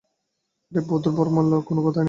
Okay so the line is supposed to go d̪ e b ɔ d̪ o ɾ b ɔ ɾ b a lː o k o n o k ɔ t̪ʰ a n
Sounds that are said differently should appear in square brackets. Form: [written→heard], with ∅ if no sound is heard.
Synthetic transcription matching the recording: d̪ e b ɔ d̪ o ɾ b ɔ ɾ [b→m] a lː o k o n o k ɔ t̪ʰ a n